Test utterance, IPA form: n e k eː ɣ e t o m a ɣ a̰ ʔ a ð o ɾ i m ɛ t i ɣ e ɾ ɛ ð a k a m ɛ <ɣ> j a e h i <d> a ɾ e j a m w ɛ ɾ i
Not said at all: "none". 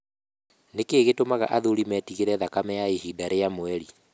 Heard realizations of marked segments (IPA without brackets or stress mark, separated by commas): none, d